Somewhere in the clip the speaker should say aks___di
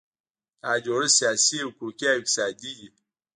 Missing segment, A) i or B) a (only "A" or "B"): B